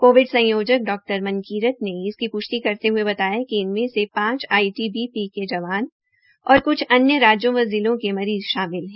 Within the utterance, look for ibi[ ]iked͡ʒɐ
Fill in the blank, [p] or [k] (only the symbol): p